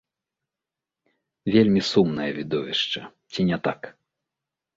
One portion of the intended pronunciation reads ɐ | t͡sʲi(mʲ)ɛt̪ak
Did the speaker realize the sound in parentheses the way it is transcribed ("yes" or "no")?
no